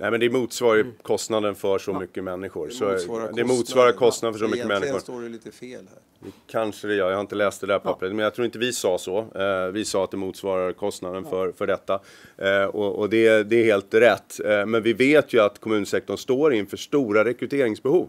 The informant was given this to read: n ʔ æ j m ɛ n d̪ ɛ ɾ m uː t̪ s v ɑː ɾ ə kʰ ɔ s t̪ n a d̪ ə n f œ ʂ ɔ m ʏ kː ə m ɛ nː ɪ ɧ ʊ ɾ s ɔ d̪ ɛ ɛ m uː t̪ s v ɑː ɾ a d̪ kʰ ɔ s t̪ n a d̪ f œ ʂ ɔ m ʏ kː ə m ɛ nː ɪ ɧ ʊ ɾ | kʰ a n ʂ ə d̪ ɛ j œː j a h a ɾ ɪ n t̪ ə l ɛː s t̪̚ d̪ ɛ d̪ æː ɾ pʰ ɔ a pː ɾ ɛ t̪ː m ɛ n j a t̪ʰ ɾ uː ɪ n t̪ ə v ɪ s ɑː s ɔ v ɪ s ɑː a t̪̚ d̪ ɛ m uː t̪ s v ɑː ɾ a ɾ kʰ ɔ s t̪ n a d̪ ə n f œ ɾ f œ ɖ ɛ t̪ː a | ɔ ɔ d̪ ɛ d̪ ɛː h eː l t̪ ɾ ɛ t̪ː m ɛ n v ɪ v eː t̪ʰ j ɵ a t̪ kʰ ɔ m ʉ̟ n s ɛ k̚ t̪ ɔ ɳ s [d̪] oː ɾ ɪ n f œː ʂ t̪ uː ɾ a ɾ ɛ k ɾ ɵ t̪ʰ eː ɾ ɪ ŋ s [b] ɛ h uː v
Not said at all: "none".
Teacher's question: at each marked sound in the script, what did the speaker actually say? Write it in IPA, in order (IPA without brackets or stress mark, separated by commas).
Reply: t̪, b